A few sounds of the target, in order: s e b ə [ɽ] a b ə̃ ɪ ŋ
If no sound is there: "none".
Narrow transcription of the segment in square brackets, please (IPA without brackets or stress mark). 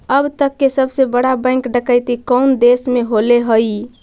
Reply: ɽ